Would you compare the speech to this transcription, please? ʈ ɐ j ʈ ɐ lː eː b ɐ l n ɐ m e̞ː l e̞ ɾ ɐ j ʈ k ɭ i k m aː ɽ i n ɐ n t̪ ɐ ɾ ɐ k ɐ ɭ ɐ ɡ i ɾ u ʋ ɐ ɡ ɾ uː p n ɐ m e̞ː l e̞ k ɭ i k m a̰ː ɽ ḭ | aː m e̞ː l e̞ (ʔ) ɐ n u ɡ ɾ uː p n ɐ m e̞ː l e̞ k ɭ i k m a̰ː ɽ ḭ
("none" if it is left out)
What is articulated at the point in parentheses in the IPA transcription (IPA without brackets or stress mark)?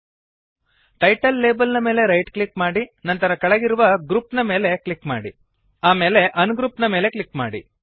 ʔ